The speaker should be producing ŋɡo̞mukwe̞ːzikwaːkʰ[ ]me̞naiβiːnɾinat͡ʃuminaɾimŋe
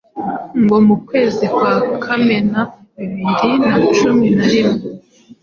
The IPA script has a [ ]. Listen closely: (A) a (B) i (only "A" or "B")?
A